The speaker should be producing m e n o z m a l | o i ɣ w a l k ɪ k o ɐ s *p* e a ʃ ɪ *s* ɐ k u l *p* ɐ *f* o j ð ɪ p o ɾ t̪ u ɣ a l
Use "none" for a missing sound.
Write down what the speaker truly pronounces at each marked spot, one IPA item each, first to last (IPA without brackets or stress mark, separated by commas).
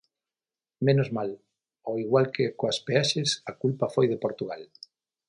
p, s, p, f